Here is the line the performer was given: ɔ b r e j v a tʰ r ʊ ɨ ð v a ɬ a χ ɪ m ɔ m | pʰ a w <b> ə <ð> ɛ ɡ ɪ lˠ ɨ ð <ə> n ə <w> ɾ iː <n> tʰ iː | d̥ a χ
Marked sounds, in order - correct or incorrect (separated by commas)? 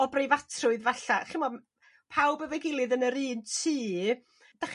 correct, incorrect, correct, incorrect, correct